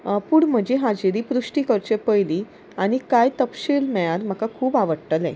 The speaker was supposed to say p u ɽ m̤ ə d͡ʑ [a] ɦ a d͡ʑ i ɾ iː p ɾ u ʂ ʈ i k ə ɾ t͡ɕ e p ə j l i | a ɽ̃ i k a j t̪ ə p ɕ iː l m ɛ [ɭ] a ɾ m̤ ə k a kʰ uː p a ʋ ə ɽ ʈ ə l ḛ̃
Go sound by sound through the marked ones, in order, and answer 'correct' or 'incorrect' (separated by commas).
incorrect, correct